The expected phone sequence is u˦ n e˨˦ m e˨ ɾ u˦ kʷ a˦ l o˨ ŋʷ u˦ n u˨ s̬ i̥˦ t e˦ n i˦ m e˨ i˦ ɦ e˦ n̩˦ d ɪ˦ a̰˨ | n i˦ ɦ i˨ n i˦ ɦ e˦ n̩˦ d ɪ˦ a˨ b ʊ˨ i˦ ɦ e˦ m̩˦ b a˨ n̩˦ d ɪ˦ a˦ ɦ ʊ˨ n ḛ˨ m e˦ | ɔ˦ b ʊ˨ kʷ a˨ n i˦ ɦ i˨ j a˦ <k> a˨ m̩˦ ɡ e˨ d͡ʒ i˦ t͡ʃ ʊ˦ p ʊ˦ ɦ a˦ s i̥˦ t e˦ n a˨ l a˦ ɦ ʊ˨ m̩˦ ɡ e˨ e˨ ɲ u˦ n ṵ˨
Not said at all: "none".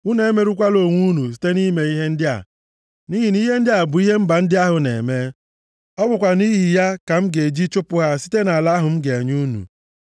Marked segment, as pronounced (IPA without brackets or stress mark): k